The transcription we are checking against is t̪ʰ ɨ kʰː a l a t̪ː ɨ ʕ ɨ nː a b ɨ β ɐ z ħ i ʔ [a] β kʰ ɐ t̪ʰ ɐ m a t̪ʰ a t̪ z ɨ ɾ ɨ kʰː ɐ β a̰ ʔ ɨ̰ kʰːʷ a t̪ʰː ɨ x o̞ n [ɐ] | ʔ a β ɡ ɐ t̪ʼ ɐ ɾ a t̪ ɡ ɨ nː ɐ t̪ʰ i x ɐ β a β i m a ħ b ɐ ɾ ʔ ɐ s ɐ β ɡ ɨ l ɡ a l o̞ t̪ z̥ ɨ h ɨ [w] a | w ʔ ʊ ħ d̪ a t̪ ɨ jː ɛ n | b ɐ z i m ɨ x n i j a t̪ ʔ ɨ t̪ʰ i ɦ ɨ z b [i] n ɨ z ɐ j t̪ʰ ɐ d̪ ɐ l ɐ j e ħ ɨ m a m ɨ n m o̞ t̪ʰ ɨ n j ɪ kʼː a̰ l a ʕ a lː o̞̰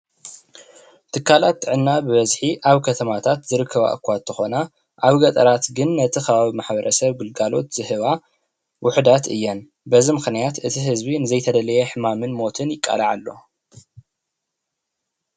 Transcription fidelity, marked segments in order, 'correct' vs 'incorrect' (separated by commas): correct, incorrect, incorrect, correct